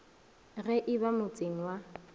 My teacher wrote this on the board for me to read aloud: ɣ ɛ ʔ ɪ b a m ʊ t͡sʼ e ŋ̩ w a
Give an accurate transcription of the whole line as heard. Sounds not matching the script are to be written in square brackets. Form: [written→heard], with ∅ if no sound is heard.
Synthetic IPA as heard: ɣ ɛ ʔ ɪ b a m ʊ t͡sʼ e ŋ̩ w a